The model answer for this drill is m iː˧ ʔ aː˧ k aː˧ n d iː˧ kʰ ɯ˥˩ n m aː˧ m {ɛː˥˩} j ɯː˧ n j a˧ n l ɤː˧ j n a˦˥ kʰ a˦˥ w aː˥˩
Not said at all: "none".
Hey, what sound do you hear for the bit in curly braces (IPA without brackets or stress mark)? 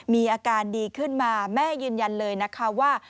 ɛː˥˩